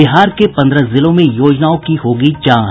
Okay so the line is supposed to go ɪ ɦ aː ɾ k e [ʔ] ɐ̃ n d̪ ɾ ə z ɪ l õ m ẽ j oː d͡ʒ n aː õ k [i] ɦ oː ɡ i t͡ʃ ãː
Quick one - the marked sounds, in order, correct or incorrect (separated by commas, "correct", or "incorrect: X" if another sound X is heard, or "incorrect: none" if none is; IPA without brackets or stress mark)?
incorrect: p, correct